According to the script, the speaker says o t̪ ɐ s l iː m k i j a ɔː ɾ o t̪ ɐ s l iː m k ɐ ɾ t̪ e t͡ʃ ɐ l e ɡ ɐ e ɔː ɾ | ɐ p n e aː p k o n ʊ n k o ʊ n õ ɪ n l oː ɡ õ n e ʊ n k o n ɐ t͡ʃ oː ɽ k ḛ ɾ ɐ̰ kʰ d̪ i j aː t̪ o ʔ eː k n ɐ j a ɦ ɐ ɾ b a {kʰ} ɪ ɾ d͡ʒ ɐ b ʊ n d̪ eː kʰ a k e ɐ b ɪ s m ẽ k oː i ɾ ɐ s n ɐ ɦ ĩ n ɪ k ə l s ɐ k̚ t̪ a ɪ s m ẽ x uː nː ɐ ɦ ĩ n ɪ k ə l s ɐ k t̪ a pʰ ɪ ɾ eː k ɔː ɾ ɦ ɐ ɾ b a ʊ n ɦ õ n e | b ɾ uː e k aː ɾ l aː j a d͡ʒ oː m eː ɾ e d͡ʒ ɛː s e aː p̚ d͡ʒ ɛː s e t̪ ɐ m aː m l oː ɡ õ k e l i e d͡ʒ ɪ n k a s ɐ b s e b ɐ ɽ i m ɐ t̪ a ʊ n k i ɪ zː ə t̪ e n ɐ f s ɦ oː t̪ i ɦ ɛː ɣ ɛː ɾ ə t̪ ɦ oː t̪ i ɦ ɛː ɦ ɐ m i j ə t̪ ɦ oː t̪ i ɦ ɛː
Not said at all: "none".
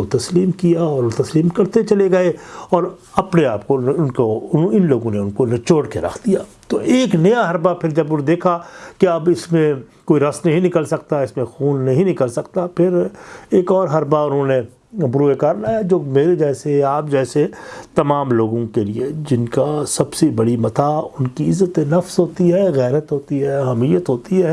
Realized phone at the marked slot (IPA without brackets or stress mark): pʰ